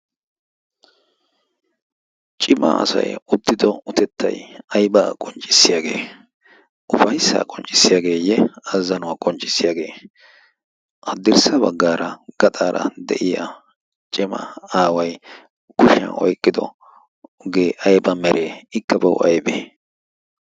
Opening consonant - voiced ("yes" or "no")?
no